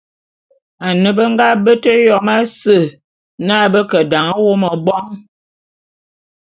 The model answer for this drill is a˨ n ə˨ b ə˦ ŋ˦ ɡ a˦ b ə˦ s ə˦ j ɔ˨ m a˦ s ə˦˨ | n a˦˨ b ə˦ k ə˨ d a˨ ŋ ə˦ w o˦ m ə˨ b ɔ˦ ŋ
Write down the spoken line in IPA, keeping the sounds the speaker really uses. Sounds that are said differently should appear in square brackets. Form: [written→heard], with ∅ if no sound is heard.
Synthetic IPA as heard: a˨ n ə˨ b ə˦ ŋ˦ ɡ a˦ b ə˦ [s→t] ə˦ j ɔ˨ m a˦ s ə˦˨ | n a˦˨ b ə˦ k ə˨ d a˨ ŋ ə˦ w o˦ m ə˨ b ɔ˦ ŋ